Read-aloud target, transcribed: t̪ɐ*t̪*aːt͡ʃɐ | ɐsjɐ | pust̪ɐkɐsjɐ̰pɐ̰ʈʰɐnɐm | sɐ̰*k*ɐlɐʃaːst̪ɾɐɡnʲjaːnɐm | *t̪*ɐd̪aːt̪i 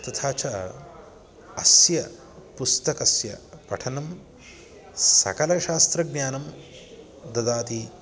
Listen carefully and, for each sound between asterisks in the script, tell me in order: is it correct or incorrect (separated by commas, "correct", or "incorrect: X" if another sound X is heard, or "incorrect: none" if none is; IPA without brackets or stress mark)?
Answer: incorrect: t̪ʰ, correct, incorrect: d̪